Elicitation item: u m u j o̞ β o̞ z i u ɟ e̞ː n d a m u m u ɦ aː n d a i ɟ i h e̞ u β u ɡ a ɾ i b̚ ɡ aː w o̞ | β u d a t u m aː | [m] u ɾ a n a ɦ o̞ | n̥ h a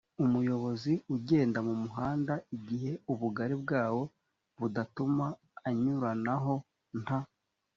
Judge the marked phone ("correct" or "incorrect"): incorrect